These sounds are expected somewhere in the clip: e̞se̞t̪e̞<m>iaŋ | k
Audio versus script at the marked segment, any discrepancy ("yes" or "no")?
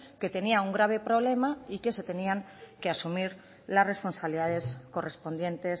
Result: yes